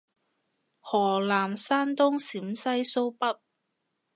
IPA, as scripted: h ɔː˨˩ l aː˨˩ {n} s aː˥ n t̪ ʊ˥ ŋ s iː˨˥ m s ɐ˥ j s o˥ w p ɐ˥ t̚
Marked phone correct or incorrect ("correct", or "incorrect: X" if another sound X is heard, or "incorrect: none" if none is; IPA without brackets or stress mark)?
incorrect: m